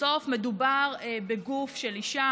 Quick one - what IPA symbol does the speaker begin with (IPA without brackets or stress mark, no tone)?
o̞